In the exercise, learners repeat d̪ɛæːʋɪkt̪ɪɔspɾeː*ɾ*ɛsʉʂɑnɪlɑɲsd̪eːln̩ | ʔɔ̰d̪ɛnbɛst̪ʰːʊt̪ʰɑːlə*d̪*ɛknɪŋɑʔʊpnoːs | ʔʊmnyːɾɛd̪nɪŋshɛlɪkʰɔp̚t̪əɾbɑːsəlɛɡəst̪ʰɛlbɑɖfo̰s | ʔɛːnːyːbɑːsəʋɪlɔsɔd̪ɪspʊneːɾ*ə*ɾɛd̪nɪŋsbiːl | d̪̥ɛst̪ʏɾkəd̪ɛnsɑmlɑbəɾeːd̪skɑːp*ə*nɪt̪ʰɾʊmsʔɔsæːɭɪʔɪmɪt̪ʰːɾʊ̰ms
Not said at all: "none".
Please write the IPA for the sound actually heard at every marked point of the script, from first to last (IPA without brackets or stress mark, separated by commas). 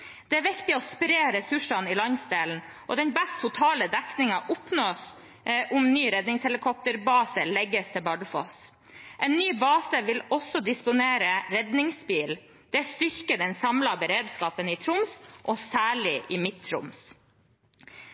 ɾ, d̪, ə, ə